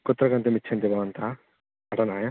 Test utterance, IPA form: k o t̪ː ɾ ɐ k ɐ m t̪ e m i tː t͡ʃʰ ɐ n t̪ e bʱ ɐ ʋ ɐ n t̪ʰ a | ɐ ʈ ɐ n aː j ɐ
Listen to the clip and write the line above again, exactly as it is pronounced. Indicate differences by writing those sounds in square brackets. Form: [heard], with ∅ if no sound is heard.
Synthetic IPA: k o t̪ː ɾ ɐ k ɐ [n] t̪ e m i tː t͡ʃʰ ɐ n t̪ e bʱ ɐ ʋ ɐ n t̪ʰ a | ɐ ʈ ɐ n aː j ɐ